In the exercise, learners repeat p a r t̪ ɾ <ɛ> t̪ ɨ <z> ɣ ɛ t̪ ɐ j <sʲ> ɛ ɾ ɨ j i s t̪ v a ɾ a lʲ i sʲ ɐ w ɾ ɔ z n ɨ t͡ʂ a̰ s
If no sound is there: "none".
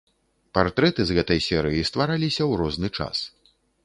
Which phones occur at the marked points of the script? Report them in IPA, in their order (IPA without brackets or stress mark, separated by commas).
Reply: ɛ, z, sʲ